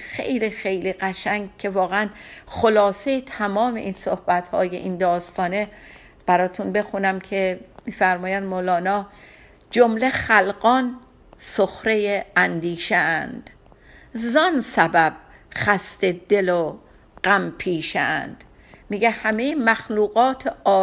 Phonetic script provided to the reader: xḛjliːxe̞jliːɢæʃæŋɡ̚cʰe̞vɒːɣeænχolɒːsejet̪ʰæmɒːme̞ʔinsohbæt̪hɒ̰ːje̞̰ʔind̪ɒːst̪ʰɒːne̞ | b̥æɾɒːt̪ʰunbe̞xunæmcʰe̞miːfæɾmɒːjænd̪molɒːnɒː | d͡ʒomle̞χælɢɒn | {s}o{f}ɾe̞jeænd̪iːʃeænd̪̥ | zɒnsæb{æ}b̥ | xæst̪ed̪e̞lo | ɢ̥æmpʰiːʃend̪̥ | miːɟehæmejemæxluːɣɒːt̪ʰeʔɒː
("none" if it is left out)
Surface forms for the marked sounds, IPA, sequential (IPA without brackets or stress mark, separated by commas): s, x, æ